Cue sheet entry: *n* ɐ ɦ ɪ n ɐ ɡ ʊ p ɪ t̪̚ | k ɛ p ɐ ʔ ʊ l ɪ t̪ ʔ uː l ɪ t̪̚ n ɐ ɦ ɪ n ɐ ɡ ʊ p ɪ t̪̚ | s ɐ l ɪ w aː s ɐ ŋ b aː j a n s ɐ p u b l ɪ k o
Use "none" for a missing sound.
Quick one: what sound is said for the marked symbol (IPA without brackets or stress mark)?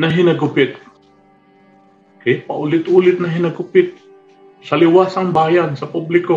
n